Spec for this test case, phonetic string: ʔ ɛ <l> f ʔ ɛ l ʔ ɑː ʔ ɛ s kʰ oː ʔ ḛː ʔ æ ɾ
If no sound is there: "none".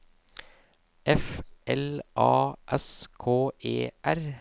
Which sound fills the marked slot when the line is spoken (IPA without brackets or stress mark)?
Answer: none